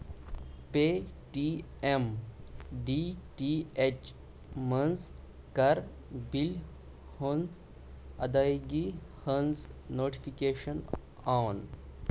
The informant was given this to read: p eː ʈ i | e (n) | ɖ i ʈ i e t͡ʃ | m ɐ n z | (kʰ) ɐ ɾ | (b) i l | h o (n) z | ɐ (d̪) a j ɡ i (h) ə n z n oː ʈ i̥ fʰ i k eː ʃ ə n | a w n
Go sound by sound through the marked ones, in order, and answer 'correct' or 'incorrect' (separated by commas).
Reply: incorrect, incorrect, correct, correct, correct, correct